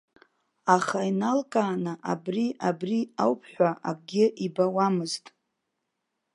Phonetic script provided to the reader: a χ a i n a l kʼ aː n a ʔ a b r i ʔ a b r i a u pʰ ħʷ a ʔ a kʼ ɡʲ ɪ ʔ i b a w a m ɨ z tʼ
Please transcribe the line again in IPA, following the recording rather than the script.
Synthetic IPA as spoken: a χ a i n a l kʼ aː n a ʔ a b r i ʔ a b r i a w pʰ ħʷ a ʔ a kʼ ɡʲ ɪ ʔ i b a w a m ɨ z tʼ

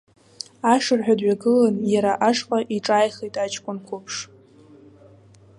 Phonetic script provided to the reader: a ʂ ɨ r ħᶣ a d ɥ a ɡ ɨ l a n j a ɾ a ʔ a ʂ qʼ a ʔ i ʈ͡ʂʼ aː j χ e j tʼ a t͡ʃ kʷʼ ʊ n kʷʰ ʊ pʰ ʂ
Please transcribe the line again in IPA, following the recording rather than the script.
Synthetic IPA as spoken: a ʂ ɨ r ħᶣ a d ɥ a ɡ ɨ l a n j a ɾ a ʔ a ʂ qʼ a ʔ i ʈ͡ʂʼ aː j χ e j tʼ a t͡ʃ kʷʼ ʊ n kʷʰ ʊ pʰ ʂ

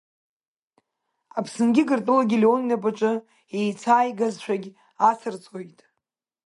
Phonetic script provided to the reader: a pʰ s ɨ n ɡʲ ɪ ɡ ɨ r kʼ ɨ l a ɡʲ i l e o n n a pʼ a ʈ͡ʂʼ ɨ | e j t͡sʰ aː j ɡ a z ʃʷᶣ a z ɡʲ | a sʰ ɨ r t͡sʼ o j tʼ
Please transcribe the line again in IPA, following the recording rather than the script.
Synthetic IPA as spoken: a pʰ s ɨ n ɡʲ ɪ ɡ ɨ r tʼ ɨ l a ɡʲ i l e o n n a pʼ a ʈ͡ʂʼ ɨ | e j t͡sʰ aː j ɡ a z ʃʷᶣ a ɡʲ | a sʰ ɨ r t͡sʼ o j tʼ

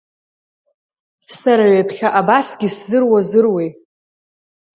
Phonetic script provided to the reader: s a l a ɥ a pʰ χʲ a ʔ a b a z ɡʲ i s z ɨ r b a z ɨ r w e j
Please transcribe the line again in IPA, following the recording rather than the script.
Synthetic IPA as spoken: s a ɾ a ɥ a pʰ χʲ a ʔ a b a s ɡʲ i s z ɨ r w a z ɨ r w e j

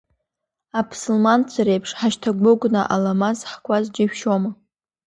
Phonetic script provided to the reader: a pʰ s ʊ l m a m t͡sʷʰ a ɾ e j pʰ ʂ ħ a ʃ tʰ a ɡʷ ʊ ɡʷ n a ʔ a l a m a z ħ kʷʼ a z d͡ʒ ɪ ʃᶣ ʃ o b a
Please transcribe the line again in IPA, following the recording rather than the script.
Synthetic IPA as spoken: a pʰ s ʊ l m a n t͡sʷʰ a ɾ e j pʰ ʂ ħ a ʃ tʰ a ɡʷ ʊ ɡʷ n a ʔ a l a m a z ħ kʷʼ a z d͡ʒ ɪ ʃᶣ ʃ o m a

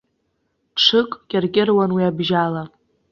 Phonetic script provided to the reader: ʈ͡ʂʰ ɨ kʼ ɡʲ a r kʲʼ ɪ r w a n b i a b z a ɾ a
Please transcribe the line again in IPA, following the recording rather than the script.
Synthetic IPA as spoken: ʈ͡ʂʰ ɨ kʼ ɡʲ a r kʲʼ ɪ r w a n w i a b ʒ a l a

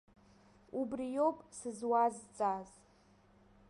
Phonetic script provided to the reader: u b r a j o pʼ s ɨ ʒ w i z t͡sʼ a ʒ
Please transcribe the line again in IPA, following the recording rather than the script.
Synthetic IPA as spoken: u b r i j o pʼ s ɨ z w a z t͡sʼ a z

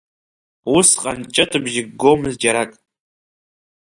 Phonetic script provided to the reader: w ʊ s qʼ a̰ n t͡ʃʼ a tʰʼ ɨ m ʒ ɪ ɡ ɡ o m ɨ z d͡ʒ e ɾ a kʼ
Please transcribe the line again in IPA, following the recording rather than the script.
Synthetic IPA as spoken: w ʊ s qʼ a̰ n t͡ʃʼ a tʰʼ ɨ b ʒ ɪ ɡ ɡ o m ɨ z d͡ʒ a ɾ a kʼ

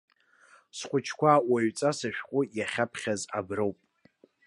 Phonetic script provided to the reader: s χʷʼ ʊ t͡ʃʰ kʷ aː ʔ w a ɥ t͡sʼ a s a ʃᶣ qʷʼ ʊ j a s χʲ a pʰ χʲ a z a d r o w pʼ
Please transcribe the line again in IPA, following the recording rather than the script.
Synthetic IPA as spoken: s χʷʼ ʊ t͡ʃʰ kʷ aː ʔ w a ɥ t͡sʼ a s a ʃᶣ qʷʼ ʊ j a χʲ a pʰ χʲ a z a b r o w pʼ

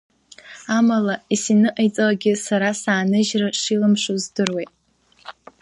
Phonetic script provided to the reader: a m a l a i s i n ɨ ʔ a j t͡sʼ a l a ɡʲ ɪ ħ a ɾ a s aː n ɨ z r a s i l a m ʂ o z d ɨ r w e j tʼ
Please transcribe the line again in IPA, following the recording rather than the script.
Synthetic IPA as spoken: a m a l a i s i n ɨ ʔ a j t͡sʼ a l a ɡʲ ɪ s a ɾ a s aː n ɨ ʒ r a ʂ i l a m ʂ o z d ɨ r w e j tʼ

